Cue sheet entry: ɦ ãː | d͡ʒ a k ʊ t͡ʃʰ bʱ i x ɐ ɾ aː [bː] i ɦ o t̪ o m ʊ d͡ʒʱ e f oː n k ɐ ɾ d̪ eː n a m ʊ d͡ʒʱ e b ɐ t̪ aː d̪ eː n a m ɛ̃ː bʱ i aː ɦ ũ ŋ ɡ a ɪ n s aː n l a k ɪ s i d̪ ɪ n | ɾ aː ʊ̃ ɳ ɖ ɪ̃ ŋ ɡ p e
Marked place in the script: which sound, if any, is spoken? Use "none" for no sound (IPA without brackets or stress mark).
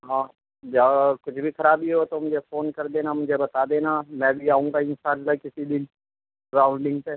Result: b